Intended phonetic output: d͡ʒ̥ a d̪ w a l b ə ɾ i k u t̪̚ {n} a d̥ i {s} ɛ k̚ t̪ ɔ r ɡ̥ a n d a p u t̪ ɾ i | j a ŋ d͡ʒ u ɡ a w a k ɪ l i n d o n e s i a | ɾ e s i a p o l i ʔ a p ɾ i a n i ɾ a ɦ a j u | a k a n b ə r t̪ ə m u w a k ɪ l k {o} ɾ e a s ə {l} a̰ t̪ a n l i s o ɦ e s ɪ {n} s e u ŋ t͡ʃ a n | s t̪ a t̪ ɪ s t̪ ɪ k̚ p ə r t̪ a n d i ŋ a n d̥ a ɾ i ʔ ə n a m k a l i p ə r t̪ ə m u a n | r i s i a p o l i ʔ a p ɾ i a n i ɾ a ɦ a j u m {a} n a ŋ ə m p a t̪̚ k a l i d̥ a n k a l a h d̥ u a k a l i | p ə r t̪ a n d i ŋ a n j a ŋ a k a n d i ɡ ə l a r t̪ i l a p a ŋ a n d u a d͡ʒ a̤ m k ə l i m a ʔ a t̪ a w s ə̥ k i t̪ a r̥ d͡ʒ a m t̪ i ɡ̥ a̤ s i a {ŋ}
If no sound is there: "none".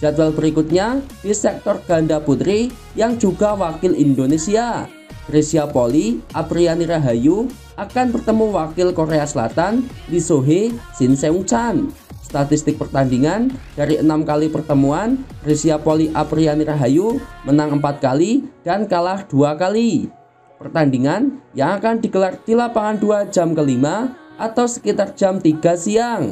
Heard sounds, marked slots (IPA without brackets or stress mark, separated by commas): ɲ, s, o, l, n, ə, ŋ